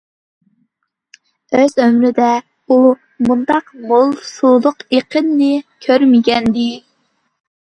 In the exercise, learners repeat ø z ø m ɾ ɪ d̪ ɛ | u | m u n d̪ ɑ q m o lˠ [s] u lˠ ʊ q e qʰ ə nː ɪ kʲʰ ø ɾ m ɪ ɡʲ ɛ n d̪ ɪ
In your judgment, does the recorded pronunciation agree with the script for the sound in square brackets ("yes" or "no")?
yes